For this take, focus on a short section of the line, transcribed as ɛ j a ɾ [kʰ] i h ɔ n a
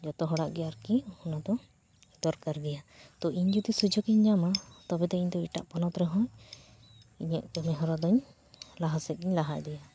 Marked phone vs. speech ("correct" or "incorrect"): incorrect